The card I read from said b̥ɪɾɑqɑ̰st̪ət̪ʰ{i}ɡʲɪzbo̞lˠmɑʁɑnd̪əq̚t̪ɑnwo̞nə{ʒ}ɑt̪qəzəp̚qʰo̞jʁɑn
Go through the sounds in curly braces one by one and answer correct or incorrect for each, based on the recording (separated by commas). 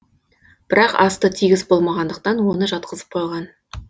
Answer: correct, correct